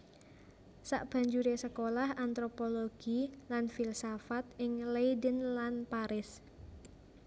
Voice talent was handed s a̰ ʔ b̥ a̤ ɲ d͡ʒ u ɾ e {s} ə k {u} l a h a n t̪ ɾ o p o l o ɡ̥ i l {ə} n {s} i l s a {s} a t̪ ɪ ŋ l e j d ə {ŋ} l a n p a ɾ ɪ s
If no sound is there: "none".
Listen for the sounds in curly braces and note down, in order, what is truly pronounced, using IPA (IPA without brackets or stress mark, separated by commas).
s, o, a, f, f, n